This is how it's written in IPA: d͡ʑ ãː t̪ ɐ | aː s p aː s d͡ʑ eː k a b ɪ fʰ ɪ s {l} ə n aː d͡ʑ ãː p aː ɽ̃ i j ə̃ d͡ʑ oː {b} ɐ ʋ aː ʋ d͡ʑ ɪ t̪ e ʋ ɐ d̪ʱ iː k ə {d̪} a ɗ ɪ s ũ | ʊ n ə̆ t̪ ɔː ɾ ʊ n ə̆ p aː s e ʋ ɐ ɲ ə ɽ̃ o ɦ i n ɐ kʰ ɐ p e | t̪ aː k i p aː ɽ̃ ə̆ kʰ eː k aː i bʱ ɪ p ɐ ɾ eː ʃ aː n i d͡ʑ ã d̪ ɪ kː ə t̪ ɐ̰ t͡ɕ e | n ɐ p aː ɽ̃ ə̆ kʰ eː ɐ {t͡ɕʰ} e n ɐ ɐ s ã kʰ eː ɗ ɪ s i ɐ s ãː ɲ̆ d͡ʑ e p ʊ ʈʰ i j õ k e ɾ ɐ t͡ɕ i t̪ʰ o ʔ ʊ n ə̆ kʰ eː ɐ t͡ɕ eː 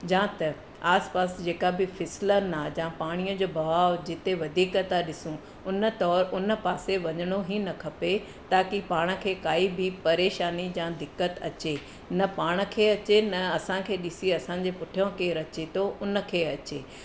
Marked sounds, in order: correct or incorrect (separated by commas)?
correct, correct, incorrect, incorrect